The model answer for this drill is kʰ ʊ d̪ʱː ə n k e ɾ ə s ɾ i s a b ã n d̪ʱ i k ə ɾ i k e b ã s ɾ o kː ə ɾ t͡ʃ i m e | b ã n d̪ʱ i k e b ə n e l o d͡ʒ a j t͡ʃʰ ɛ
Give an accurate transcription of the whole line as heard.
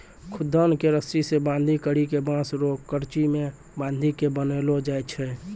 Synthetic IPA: kʰ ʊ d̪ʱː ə n k e ɾ ə s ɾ i s e b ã n d̪ʱ i k ə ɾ i k e b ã s ɾ o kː ə ɾ t͡ʃ i m e | b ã n d̪ʱ i k e b ə n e l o d͡ʒ a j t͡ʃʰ ɛ